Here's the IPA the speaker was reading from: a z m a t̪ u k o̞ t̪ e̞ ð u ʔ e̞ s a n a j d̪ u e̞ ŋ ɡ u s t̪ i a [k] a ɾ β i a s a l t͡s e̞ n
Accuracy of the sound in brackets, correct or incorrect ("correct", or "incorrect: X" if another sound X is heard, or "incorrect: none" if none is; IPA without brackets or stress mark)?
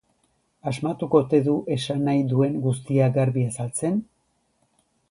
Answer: incorrect: ɡ